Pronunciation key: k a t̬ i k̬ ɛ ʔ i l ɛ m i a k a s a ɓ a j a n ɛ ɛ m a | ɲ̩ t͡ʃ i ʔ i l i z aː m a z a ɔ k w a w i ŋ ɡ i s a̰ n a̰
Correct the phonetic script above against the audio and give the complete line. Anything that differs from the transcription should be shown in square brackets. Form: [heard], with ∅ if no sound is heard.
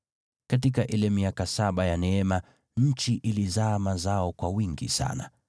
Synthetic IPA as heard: k a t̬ i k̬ [a] ʔ i l ɛ m i a k a s a ɓ a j a n ɛ ɛ m a | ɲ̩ t͡ʃ i ʔ i l i z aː m a z a ɔ k w a w i ŋ ɡ i s a̰ n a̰